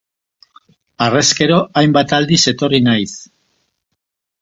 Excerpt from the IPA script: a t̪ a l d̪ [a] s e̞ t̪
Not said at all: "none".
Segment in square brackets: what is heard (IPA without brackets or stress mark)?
i